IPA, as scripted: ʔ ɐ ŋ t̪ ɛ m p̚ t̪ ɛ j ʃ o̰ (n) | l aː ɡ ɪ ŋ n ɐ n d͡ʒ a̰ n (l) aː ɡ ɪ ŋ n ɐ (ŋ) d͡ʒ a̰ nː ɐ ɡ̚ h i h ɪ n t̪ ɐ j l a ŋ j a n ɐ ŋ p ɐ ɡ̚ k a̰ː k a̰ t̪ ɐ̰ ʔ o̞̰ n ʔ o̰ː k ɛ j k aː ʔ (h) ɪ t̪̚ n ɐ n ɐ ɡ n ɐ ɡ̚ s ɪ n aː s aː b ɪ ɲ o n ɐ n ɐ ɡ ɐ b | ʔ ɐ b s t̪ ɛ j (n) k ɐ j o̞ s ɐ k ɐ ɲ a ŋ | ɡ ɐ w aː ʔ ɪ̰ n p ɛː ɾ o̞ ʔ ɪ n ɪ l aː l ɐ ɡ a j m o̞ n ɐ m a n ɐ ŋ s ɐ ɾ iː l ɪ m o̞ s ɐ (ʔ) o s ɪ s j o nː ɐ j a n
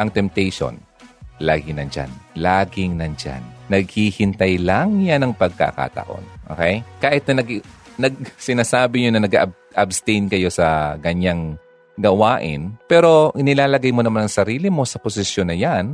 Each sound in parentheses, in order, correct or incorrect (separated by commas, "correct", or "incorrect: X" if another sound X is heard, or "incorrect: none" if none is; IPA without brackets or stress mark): correct, correct, incorrect: n, correct, correct, incorrect: p